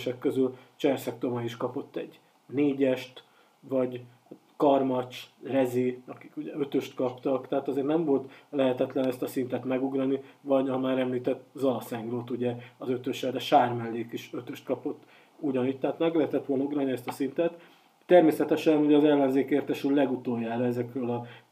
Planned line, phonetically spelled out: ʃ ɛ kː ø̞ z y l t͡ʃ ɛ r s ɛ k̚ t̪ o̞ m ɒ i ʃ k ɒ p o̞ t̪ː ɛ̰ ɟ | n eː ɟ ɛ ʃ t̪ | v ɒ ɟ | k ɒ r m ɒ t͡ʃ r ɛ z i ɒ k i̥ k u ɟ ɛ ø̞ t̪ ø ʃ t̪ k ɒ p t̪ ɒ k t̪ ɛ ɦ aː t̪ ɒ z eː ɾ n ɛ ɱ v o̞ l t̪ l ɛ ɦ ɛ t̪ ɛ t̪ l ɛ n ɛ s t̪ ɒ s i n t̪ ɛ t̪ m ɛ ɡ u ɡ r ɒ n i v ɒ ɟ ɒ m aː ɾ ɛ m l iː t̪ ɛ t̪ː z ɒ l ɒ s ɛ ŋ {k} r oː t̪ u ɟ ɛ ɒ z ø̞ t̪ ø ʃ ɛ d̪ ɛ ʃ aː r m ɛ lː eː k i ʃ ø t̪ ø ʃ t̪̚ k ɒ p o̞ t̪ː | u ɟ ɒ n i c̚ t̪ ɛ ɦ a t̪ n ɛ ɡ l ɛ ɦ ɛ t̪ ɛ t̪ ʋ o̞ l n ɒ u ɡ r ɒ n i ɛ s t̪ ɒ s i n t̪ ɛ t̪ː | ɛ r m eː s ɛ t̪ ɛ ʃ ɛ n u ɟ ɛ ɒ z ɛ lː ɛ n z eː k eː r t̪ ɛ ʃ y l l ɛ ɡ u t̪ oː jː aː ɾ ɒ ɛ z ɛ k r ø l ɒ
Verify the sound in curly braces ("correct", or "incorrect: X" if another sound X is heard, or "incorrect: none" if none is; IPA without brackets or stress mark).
incorrect: ɡ